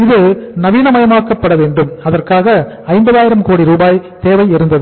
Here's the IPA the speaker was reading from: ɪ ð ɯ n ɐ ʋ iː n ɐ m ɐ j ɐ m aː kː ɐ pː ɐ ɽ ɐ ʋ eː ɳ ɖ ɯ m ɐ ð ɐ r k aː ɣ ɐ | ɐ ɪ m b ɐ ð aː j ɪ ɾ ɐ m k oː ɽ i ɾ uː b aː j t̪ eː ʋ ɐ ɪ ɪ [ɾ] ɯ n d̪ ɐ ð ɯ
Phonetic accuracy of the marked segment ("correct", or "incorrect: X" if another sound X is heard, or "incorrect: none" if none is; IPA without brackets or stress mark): correct